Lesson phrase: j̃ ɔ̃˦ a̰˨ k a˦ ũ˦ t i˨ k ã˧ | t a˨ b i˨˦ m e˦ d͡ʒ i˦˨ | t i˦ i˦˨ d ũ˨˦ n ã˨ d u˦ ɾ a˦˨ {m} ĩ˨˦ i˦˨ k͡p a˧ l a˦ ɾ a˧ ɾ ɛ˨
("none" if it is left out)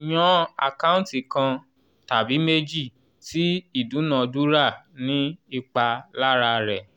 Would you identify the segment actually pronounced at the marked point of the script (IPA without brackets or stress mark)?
n